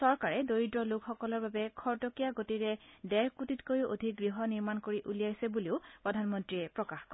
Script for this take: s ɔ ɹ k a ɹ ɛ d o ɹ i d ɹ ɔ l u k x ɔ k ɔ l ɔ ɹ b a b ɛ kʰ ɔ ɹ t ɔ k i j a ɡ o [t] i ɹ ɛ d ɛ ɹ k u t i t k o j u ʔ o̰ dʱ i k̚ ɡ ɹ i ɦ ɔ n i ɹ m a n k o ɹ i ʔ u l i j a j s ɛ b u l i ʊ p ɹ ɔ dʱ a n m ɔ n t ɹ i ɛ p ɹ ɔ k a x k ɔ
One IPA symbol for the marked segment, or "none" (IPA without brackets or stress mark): t